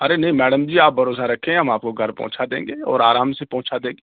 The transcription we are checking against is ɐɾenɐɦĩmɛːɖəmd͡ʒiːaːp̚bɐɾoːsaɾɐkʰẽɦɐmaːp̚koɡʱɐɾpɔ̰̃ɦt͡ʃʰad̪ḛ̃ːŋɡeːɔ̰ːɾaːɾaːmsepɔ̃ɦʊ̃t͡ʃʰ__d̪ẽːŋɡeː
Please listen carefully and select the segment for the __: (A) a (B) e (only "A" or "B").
A